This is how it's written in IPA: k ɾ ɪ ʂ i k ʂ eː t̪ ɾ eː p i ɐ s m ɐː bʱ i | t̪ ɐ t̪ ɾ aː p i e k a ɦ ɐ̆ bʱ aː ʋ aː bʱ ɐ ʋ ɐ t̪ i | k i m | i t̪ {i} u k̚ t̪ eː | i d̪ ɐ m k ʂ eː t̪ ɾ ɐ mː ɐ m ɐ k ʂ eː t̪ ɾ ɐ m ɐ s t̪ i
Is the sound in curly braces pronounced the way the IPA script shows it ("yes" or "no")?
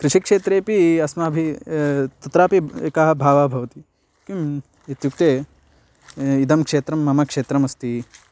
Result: no